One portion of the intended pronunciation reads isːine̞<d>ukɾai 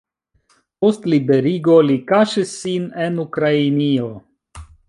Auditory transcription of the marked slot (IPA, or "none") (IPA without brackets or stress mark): n